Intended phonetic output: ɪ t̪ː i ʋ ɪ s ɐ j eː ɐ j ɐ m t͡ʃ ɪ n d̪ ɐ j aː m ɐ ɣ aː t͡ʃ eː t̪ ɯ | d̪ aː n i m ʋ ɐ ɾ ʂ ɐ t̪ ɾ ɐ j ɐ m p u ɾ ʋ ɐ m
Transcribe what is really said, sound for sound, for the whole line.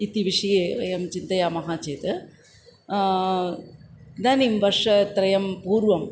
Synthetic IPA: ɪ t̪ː i ʋ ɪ ʂ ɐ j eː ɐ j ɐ m t͡ʃ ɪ n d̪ ɐ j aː m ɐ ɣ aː t͡ʃ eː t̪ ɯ | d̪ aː n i m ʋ ɐ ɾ ʂ ɐ t̪ ɾ ɐ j ɐ m p uː ɾ ʋ ɐ m